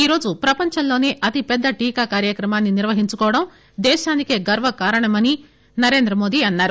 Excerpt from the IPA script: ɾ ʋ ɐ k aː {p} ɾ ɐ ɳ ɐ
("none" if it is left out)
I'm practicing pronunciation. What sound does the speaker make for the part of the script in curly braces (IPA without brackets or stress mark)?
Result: none